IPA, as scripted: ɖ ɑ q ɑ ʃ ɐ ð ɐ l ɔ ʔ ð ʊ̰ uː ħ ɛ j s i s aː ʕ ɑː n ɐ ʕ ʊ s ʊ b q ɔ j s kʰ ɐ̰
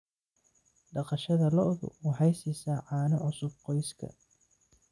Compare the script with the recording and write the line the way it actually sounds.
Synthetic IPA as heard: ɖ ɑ q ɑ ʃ ɐ ð ɐ l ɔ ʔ ð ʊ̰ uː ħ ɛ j s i s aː ʕ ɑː n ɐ ʕ ʊ s ʊ b q ɔ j s kʰ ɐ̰